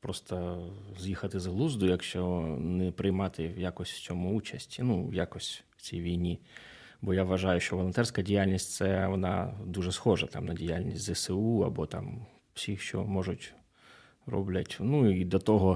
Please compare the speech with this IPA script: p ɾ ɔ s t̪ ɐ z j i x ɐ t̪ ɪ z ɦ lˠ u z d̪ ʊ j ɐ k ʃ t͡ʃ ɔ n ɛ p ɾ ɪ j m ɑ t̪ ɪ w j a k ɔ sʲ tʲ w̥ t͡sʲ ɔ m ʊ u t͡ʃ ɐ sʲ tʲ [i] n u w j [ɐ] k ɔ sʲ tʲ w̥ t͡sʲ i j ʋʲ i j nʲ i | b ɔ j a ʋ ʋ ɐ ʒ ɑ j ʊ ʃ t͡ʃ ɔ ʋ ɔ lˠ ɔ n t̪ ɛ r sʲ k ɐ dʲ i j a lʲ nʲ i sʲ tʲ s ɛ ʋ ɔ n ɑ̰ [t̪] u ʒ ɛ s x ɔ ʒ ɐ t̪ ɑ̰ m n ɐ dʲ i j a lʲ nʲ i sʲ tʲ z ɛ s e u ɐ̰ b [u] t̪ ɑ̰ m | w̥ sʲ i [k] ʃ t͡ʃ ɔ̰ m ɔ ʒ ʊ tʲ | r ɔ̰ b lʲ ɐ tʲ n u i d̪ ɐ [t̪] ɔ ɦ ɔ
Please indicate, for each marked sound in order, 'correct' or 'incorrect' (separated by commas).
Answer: correct, incorrect, incorrect, incorrect, incorrect, correct